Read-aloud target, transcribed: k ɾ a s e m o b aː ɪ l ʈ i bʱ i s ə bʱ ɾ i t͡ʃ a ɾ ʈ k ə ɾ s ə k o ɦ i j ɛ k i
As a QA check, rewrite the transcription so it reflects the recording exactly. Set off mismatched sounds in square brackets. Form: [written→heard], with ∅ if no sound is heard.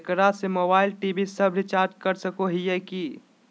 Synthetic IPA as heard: k ɾ a s e m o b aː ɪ l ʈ i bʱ i s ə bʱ ɾ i t͡ʃ a ɾ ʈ k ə ɾ s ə k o ɦ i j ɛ k i